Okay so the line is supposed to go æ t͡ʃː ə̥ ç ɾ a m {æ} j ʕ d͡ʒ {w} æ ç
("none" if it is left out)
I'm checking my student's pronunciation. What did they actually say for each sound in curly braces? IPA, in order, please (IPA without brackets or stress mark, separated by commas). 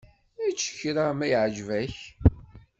æ, v